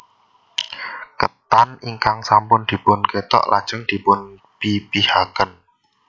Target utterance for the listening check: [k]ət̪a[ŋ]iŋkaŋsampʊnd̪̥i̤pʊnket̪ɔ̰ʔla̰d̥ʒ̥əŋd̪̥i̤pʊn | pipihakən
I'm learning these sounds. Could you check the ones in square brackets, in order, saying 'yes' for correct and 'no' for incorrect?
yes, no

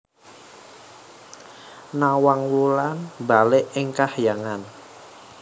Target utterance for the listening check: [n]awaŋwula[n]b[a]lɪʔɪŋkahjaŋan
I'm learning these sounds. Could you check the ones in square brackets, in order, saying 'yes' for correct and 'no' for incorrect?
yes, yes, yes

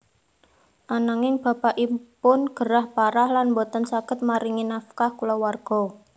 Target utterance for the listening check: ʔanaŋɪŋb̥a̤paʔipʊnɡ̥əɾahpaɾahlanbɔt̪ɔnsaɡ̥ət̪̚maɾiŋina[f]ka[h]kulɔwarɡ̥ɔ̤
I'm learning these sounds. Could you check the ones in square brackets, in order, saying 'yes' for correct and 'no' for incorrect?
yes, yes

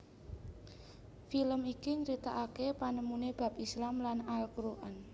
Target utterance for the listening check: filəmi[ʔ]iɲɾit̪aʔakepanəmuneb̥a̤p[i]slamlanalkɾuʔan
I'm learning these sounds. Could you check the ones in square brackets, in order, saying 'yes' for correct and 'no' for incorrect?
no, yes

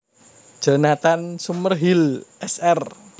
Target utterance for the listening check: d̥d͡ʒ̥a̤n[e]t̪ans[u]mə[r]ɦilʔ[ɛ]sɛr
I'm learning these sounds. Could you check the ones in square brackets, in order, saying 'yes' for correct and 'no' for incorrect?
no, yes, yes, yes

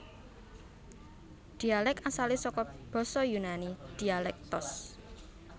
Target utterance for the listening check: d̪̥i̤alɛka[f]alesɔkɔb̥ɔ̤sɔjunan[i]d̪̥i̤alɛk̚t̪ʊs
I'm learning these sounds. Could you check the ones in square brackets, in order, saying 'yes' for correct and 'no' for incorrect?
no, yes

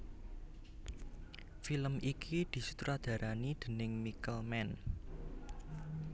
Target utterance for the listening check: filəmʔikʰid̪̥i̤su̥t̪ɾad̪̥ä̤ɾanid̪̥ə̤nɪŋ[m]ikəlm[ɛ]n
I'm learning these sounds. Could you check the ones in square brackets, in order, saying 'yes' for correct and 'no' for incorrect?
yes, yes

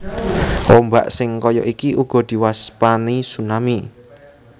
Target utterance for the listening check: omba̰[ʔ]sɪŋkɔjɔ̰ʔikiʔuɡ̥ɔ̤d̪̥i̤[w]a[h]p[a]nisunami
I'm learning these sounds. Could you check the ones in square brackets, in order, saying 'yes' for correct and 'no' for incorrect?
yes, yes, no, yes

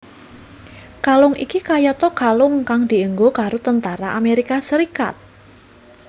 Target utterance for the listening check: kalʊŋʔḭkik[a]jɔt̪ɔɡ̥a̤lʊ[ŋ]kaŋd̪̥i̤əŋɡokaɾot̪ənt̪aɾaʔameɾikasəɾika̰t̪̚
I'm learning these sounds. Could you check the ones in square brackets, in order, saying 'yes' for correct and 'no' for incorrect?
yes, yes

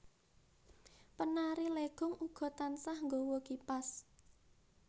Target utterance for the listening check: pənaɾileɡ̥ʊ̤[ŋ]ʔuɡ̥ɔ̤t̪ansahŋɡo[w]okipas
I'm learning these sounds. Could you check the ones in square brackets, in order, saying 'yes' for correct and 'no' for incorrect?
yes, yes

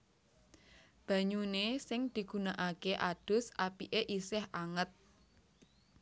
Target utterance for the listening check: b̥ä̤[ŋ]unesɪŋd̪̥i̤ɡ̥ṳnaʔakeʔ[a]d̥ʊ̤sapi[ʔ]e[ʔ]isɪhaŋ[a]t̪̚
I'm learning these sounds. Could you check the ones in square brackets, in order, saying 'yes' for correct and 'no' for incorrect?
no, yes, yes, yes, no

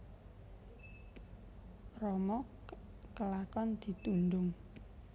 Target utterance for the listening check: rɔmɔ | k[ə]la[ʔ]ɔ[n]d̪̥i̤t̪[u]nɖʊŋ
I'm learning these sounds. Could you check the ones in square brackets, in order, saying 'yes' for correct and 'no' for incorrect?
yes, no, yes, yes

